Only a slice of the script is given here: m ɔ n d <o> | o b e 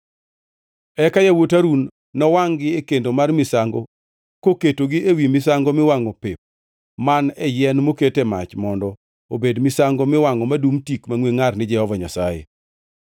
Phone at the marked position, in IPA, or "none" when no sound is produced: ɔ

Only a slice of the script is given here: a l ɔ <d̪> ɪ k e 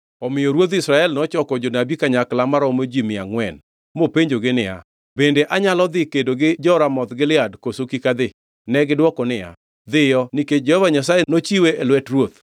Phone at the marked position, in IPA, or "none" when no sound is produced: d̪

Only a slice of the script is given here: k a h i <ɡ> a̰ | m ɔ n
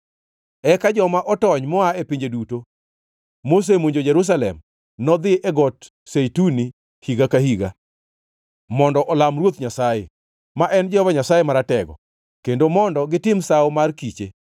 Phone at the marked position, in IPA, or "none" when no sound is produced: ɡ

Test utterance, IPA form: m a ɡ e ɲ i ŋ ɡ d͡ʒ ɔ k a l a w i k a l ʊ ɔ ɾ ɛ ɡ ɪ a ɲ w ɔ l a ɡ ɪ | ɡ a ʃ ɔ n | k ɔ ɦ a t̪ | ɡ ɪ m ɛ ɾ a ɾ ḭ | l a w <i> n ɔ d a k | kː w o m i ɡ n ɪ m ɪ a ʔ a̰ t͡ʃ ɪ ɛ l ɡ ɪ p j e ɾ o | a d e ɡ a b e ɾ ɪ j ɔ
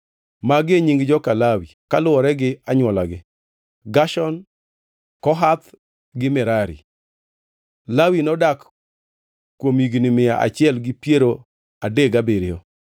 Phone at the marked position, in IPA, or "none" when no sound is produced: i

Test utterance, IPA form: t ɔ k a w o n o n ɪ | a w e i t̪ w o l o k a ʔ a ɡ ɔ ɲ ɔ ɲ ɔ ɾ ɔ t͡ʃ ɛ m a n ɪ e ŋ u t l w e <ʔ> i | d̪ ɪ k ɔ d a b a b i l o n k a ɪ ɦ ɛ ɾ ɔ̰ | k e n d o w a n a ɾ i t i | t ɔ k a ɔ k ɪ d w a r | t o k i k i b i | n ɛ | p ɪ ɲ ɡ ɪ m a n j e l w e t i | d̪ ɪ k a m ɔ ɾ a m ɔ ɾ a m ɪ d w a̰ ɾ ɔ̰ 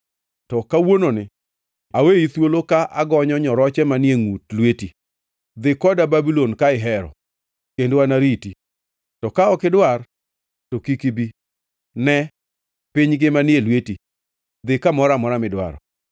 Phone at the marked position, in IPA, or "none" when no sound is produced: t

